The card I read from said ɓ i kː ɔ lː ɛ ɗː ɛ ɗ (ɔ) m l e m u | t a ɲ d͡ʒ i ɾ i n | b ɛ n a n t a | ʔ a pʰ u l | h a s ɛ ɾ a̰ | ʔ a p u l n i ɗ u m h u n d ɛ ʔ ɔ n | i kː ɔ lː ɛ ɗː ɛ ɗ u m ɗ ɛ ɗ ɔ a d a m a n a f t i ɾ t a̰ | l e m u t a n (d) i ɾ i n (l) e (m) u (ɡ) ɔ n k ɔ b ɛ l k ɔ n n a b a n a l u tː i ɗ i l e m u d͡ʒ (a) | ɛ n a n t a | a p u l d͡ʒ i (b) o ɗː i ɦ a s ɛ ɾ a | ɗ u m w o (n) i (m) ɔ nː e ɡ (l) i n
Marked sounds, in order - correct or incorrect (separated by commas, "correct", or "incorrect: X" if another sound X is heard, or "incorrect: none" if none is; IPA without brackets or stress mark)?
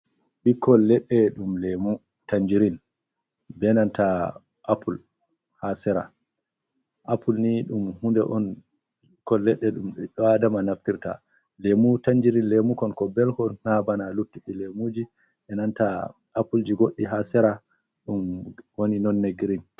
incorrect: u, incorrect: d͡ʒ, correct, correct, incorrect: k, incorrect: i, incorrect: ɡ, correct, incorrect: n, incorrect: ɾ